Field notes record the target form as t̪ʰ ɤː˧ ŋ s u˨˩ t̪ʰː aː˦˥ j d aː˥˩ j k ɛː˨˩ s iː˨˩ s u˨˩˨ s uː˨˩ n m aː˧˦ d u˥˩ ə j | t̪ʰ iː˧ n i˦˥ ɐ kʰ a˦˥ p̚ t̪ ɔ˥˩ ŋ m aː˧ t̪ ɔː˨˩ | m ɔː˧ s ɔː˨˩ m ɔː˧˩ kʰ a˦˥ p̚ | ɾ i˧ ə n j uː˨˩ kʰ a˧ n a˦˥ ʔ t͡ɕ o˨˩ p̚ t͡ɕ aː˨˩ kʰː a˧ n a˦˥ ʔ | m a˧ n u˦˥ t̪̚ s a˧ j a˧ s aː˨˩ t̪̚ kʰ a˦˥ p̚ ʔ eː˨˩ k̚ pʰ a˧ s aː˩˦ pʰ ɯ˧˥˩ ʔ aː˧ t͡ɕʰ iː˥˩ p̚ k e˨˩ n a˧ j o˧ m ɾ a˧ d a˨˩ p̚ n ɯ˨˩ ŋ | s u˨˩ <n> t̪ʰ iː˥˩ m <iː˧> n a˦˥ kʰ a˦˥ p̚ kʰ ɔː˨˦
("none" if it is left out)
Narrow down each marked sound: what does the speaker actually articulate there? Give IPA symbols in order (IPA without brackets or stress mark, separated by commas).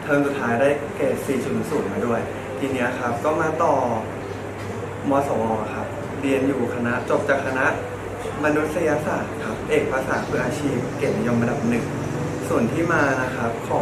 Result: n, aː˧